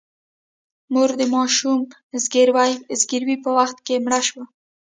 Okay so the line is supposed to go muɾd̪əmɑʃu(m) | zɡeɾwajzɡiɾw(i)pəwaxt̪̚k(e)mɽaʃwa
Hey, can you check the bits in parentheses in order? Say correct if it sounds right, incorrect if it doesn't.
correct, correct, correct

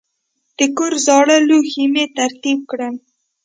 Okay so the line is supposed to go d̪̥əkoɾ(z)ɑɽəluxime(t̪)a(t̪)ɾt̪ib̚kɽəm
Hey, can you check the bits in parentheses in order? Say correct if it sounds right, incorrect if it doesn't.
correct, correct, incorrect

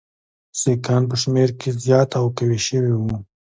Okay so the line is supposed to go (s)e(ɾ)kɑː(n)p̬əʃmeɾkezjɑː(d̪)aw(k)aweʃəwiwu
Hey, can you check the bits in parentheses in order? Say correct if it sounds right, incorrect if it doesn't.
correct, incorrect, correct, incorrect, correct

